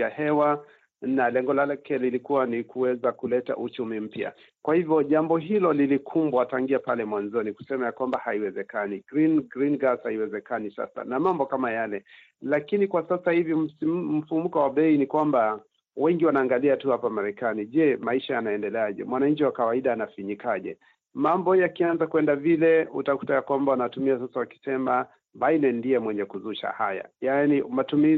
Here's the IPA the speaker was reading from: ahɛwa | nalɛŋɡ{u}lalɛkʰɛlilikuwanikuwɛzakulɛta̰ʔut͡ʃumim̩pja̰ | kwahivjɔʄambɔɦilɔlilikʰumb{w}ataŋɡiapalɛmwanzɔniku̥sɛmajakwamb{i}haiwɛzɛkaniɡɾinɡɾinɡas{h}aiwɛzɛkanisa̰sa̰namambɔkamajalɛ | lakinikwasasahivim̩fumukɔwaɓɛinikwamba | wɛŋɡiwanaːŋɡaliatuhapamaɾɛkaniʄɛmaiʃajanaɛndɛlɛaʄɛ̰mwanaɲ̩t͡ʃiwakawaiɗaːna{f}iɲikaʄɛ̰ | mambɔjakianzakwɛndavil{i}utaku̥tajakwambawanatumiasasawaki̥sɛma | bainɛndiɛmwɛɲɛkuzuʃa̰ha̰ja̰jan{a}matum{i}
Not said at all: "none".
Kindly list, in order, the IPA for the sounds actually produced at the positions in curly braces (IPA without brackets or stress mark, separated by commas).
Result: ɔ, w, a, h, f, ɛ, i, i